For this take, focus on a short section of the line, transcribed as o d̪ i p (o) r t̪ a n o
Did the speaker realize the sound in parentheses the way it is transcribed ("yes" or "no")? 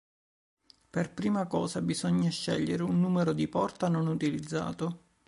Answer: no